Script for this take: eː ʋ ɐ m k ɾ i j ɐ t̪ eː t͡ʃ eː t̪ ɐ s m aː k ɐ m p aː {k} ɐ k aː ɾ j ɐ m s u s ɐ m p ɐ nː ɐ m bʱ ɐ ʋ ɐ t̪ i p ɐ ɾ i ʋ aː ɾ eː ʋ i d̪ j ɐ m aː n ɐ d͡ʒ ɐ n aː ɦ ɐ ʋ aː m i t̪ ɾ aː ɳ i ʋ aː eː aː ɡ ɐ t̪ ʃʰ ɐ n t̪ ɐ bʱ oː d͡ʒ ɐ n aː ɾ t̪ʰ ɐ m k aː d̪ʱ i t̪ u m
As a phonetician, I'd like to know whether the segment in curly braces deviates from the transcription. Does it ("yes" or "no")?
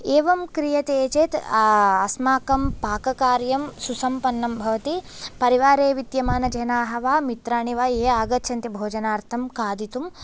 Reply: no